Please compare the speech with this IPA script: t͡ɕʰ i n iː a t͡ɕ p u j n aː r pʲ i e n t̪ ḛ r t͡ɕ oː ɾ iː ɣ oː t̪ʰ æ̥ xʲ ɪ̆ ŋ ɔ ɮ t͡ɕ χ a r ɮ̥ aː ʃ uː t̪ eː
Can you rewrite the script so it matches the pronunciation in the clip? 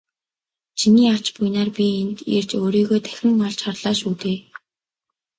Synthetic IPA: t͡ɕʰ i n iː a t͡ɕ p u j n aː r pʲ i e n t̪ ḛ r t͡ɕ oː ɾ iː ɣ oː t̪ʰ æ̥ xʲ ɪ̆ ŋ ɔ ɮ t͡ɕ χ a r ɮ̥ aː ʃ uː t̪ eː